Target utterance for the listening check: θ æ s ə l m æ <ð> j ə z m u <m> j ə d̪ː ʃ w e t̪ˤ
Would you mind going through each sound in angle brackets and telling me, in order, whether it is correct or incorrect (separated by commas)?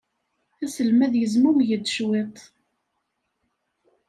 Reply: correct, correct